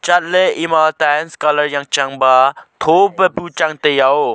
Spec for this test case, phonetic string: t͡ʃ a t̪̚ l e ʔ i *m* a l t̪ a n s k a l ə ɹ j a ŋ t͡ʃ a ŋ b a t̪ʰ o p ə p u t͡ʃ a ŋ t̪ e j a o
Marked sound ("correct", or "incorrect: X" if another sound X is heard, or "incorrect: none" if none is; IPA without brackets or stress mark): correct